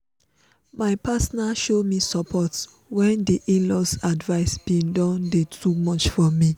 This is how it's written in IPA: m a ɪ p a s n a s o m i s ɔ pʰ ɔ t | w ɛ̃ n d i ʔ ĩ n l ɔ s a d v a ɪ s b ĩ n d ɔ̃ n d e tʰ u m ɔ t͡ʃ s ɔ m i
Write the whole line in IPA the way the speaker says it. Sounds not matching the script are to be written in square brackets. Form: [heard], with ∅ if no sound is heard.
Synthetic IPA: m a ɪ p a s n a [ʃ] o m i s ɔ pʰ ɔ t | w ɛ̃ n d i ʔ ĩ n l ɔ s a d v a ɪ s b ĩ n d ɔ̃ n d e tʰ u m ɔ t͡ʃ [f] ɔ m i